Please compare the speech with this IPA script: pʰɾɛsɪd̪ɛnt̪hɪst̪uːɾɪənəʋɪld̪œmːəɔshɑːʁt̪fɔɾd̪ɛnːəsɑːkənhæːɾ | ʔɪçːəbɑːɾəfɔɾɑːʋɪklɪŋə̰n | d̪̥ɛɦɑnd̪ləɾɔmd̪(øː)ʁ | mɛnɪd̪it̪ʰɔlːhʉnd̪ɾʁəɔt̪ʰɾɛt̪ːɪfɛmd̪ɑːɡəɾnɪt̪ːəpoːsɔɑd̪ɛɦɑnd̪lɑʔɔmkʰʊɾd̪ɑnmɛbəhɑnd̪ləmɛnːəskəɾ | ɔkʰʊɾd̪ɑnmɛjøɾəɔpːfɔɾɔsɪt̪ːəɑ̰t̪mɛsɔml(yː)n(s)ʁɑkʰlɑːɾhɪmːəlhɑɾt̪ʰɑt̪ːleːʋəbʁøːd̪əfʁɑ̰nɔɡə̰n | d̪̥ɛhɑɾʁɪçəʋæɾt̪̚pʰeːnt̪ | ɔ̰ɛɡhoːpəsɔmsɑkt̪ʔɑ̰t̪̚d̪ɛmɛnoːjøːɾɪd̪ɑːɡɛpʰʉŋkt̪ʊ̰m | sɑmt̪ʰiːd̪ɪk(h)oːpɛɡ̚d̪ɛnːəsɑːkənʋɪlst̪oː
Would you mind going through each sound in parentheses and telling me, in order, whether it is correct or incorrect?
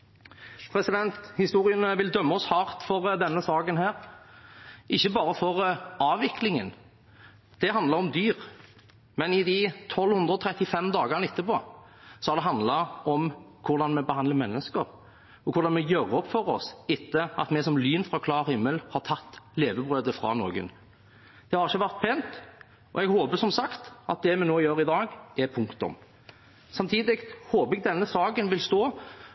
incorrect, correct, incorrect, correct

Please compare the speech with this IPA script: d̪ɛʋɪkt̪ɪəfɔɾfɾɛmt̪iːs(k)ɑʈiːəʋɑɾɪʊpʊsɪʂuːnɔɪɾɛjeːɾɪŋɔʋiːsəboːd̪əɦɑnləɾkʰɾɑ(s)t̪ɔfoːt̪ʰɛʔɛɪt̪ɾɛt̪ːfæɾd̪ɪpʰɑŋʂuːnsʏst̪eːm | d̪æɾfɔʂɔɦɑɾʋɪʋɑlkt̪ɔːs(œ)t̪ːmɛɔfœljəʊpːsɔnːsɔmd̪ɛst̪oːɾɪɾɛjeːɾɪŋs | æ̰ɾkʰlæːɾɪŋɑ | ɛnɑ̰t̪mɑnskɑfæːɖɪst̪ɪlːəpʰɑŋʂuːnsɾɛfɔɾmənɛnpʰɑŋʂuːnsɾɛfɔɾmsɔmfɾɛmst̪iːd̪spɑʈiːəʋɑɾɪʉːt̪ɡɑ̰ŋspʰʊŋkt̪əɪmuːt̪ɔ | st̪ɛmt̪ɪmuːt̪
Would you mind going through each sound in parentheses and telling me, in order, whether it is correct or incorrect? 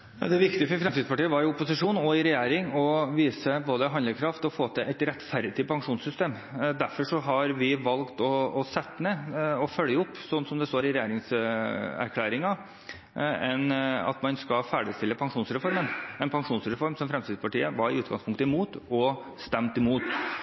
incorrect, incorrect, incorrect

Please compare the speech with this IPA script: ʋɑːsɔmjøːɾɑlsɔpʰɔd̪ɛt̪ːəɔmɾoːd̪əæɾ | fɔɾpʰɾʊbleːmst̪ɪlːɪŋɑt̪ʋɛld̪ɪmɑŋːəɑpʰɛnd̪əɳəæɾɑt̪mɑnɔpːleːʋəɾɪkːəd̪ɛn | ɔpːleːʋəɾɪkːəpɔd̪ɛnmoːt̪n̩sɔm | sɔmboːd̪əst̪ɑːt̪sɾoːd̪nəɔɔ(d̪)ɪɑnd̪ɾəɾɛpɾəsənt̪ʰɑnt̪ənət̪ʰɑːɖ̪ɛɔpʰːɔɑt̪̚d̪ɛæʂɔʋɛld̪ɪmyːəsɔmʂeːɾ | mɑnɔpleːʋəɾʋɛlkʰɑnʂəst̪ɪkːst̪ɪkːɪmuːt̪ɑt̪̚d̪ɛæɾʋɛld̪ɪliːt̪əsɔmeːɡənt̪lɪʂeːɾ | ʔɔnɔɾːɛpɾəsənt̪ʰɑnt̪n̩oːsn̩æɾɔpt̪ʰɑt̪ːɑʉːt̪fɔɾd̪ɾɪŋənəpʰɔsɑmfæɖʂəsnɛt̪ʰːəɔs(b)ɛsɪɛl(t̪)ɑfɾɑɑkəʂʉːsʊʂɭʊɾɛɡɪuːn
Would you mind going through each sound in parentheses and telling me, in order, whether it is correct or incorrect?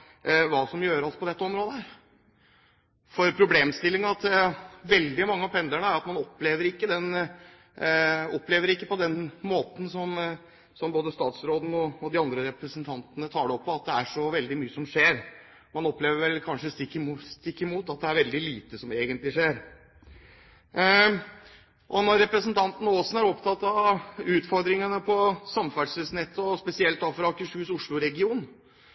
correct, incorrect, correct

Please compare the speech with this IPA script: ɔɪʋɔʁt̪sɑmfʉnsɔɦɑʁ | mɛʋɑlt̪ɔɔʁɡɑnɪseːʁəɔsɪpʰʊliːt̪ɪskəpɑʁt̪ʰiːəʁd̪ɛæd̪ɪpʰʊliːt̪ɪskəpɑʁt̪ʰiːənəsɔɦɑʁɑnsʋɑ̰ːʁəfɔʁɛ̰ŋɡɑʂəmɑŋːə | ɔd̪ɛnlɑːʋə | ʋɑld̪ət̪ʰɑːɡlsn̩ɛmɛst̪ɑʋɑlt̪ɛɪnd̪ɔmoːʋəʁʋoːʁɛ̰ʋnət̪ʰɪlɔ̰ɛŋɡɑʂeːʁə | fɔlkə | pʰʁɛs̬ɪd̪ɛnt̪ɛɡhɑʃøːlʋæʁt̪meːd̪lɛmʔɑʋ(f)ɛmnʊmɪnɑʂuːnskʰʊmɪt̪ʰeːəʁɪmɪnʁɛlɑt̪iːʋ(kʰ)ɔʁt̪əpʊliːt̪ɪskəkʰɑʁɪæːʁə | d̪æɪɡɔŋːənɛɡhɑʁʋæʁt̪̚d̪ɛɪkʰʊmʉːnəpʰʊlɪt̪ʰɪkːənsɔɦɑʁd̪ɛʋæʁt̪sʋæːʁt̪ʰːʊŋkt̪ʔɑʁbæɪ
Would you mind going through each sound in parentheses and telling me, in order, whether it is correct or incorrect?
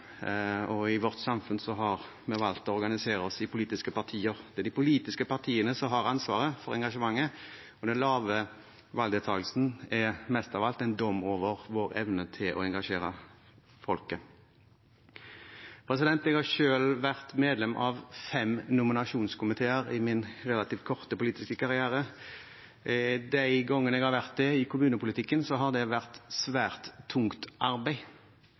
correct, correct

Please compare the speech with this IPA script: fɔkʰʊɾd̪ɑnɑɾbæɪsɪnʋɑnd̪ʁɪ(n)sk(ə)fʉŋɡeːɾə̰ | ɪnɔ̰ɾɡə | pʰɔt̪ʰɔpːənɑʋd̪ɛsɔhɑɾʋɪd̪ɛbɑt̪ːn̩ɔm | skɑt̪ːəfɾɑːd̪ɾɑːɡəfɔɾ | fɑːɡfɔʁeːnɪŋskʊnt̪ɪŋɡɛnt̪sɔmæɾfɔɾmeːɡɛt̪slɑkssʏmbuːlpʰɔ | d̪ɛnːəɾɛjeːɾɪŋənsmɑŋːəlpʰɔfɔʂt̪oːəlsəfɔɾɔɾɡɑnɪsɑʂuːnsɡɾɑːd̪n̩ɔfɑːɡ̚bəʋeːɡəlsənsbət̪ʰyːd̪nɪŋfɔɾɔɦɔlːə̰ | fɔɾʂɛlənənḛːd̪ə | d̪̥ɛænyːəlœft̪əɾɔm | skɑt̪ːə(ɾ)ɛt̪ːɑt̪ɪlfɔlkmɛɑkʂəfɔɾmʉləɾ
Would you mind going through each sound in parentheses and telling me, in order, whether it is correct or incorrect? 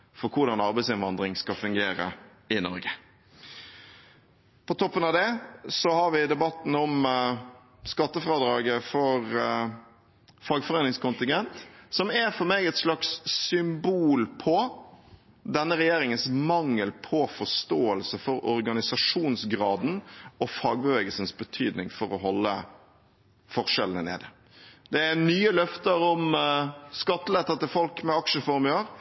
incorrect, incorrect, incorrect

